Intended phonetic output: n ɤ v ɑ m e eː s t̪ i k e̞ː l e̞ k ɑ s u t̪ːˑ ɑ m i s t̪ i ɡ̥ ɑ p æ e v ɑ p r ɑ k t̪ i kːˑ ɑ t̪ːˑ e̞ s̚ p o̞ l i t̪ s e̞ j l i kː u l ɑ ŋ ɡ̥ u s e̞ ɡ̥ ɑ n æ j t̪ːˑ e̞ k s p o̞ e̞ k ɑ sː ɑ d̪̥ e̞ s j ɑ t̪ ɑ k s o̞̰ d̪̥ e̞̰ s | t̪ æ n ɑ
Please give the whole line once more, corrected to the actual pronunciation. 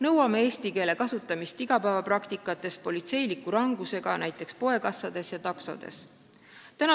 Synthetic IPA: n ɤ w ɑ m e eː s t̪ i k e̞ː l e̞ k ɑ s u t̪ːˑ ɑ m i s t̪ i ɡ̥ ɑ p æ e v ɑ p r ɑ k t̪ i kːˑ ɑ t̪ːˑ e̞ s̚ p o̞ l i t̪ s e̞ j l i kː u ɾ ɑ ŋ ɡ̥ u s e̞ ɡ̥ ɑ n æ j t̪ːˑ e̞ k s p o̞ e̞ k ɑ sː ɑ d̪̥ e̞ s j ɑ t̪ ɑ k s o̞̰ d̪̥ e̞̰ s | t̪ æ n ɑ